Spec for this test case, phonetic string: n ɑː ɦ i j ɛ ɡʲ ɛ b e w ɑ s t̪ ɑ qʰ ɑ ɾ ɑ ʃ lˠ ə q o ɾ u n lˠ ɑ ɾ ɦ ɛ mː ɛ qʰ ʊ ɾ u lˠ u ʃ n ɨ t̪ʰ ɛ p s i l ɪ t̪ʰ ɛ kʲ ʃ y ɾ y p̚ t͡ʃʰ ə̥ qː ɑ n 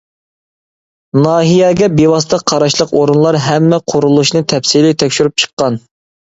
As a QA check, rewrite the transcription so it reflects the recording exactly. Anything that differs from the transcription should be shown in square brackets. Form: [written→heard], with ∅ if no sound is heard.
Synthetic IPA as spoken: n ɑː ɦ i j ɛ ɡʲ ɛ b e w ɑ s t̪ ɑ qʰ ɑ ɾ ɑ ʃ lˠ ə q o ɾ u n lˠ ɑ ɾ ɦ ɛ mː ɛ qʰ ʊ ɾ u lˠ u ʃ n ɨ t̪ʰ ɛ p s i l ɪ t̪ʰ ɛ kʲ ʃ y ɾ y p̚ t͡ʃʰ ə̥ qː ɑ n